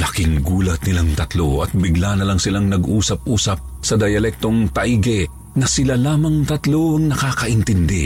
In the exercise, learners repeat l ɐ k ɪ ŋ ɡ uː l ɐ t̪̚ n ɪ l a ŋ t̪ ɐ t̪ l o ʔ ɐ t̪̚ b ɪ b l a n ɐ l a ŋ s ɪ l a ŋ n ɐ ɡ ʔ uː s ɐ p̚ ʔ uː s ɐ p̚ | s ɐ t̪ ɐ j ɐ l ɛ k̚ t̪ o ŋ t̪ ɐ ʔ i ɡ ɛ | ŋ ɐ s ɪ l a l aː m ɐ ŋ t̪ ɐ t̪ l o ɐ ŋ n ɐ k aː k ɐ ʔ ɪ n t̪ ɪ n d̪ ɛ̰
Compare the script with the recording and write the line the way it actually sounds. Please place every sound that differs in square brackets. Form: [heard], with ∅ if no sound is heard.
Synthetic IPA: l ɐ k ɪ ŋ ɡ uː l ɐ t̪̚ n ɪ l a ŋ t̪ ɐ t̪ l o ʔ ɐ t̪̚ b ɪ [ɡ] l a n ɐ l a ŋ s ɪ l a ŋ n ɐ ɡ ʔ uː s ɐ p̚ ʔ uː s ɐ p̚ | s ɐ [d̪] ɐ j ɐ l ɛ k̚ t̪ o ŋ t̪ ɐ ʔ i ɡ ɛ | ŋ ɐ s ɪ l a l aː m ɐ ŋ t̪ ɐ t̪ l o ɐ ŋ n ɐ k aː k ɐ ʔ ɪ n t̪ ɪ n d̪ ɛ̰